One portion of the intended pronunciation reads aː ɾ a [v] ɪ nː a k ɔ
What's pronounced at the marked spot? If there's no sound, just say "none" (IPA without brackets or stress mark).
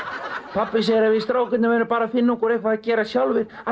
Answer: f